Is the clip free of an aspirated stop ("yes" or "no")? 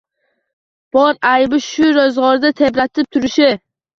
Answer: no